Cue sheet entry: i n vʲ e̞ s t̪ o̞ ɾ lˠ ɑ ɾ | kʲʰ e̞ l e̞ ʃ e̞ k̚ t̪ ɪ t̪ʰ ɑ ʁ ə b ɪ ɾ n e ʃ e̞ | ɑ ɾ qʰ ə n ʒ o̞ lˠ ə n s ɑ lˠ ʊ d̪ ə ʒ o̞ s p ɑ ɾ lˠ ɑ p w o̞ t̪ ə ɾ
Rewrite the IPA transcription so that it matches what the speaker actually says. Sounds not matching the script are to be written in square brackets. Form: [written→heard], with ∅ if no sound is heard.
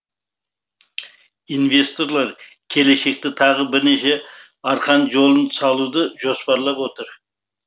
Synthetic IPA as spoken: i n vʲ e̞ s t̪ o̞ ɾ lˠ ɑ ɾ | kʲʰ e̞ l e̞ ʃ e̞ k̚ t̪ ɪ t̪ʰ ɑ ʁ ə b ɪ ɾ n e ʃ e̞ | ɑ ɾ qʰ [ə→ɑ] n ʒ o̞ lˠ ə n s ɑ lˠ [ʊ→u] d̪ ə ʒ o̞ s p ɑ ɾ lˠ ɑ p w o̞ t̪ ə ɾ